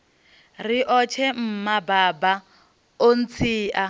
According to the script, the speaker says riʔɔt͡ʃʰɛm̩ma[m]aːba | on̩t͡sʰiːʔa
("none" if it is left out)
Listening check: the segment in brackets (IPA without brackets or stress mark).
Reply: b